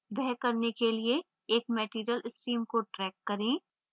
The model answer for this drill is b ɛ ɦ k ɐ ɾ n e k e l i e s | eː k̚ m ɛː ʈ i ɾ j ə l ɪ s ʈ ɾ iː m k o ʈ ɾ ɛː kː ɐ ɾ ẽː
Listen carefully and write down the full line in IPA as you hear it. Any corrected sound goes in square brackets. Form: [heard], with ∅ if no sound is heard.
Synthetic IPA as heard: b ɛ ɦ k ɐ ɾ n e k e l i e [∅] | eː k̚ m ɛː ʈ [iː] ɾ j ə l ɪ s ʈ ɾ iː m k o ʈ ɾ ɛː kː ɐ ɾ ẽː